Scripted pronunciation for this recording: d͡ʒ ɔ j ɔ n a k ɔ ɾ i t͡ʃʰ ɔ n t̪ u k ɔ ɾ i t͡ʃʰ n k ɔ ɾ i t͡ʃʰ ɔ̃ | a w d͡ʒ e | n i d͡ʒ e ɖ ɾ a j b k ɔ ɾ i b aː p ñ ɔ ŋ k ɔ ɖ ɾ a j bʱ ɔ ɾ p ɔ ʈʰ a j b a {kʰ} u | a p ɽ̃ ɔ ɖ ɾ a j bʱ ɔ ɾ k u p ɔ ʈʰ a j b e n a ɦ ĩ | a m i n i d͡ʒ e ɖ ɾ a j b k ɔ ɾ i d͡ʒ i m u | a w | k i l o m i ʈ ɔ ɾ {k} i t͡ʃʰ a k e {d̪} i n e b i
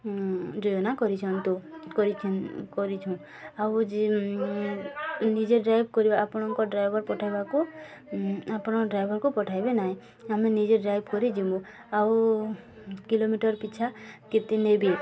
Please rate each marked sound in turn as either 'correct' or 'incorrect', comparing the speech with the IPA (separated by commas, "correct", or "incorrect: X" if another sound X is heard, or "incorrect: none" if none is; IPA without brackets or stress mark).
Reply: incorrect: k, incorrect: p, incorrect: t̪